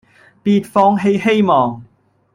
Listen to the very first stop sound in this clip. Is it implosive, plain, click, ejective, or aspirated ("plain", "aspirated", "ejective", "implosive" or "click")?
plain